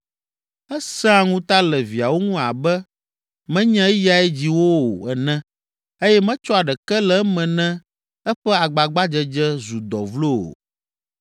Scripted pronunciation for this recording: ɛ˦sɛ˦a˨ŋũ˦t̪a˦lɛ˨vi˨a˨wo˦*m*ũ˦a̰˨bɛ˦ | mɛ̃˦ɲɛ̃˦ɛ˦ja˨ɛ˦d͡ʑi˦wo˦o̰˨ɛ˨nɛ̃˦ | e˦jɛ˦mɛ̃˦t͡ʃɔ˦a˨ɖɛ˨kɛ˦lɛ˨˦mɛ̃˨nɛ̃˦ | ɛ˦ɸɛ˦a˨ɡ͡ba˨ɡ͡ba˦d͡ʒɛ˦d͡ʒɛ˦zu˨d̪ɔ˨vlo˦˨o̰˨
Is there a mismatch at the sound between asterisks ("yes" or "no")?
yes